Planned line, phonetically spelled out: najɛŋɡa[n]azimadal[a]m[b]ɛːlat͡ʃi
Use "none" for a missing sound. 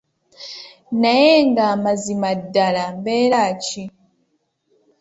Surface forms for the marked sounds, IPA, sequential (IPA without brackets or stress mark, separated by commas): m, a, b